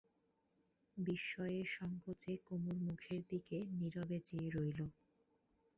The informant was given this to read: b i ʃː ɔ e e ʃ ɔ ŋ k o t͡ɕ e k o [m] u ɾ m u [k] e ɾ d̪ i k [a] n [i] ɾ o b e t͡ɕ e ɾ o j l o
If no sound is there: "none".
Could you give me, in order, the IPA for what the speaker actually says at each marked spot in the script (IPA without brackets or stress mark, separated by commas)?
m, kʰ, e, i